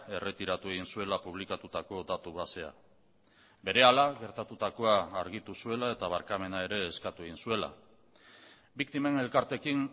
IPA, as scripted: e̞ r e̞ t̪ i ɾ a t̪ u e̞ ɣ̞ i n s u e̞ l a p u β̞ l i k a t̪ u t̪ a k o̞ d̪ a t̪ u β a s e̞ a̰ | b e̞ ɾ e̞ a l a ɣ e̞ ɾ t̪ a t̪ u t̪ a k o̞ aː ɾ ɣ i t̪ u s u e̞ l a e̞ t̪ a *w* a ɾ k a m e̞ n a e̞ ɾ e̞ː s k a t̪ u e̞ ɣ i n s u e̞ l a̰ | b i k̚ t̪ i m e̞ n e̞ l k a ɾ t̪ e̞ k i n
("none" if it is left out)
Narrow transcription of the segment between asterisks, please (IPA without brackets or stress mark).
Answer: β